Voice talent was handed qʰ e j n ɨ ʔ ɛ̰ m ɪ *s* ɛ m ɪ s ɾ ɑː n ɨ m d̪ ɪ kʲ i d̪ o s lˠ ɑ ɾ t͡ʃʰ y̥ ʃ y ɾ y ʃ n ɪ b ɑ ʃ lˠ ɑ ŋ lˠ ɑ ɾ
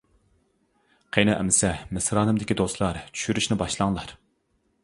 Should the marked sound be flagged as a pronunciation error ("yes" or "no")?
no